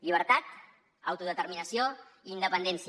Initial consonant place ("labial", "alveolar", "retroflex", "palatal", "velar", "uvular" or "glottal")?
palatal